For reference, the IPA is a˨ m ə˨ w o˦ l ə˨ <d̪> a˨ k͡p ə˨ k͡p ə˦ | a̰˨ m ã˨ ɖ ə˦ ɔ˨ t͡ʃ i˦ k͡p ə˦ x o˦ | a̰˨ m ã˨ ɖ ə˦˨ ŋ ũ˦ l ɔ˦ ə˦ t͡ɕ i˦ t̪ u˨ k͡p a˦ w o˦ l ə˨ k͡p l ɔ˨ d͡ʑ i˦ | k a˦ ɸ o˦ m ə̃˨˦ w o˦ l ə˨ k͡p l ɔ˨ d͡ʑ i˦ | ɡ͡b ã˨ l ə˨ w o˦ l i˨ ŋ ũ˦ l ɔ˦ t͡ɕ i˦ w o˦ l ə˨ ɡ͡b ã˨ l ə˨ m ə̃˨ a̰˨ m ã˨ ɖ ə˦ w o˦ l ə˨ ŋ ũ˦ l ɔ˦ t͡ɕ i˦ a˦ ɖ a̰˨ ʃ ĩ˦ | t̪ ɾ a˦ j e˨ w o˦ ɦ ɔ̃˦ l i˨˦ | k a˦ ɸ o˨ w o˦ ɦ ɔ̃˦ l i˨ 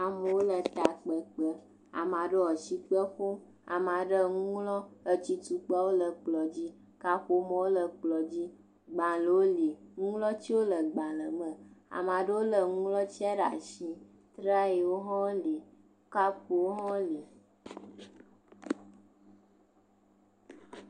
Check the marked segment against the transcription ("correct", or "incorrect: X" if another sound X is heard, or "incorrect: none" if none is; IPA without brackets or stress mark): incorrect: t̪